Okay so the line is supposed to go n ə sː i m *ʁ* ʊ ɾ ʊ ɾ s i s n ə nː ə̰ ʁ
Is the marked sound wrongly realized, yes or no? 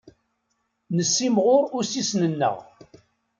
no